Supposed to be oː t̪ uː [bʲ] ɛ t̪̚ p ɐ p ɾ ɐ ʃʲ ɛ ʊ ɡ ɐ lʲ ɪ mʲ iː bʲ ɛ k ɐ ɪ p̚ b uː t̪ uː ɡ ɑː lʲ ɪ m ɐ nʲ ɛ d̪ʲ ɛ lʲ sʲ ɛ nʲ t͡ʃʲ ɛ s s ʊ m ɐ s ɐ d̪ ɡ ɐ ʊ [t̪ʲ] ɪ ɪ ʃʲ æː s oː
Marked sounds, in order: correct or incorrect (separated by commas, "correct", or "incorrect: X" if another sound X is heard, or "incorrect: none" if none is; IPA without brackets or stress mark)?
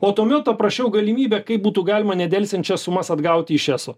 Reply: incorrect: mʲ, correct